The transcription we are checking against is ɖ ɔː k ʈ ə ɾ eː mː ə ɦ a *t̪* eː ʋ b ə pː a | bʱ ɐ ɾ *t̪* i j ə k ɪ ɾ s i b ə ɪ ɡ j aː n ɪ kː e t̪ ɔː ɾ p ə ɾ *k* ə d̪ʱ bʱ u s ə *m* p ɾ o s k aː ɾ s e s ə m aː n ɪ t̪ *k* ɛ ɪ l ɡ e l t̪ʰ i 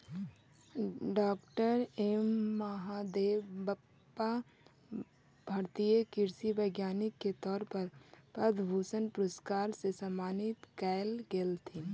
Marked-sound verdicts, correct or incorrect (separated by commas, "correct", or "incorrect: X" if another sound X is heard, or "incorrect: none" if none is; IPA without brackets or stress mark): incorrect: d̪, correct, incorrect: p, incorrect: n, correct